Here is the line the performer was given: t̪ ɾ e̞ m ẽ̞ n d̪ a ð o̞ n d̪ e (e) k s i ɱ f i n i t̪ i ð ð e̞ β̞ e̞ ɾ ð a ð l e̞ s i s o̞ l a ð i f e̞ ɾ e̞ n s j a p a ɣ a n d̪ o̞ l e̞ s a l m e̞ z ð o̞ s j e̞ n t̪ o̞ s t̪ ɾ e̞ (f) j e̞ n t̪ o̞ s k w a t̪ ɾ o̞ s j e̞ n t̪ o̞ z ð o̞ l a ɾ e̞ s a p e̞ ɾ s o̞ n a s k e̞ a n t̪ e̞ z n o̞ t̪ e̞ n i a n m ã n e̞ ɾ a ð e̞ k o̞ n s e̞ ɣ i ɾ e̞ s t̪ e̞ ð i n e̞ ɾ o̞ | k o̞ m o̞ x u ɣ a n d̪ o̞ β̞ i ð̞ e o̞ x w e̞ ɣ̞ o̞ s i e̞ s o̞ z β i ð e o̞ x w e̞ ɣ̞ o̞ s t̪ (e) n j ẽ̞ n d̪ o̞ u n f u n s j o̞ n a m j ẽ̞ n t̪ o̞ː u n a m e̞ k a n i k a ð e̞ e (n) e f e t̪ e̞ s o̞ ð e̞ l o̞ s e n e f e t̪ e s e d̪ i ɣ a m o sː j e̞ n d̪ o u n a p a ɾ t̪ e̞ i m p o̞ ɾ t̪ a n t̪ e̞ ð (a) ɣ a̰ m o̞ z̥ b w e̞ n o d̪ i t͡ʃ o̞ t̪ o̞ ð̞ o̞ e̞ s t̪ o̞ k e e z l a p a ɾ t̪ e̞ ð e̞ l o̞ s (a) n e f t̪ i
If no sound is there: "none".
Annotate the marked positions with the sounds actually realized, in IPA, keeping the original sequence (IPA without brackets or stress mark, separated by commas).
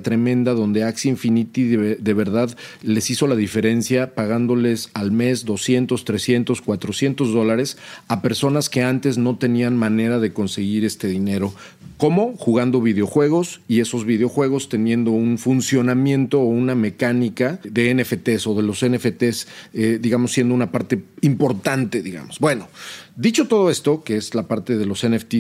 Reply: a, s, e, n, i, e